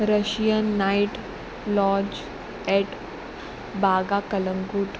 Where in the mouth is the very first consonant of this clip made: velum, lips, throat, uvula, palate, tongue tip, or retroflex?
tongue tip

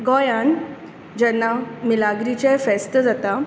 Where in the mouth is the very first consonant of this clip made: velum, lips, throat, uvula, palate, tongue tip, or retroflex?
velum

